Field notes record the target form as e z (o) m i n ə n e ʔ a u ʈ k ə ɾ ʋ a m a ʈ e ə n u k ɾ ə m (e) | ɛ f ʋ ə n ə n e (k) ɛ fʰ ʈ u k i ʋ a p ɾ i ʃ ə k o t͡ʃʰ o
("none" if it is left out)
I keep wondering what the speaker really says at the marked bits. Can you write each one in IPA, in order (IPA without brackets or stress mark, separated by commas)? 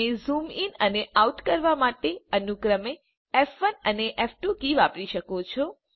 u, e, ʔ